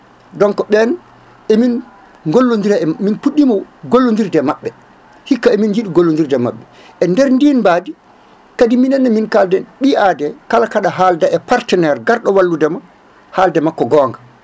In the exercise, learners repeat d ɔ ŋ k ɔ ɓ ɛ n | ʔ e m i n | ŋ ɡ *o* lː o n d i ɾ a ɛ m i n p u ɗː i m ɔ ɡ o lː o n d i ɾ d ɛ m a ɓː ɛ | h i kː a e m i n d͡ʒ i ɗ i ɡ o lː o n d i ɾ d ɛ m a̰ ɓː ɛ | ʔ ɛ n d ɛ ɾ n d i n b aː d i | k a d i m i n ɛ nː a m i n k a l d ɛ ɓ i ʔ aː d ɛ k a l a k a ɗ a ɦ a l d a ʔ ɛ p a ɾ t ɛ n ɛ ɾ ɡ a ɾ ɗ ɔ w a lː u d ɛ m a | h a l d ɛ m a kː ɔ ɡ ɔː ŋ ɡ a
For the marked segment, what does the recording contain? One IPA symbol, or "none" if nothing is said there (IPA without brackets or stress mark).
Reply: o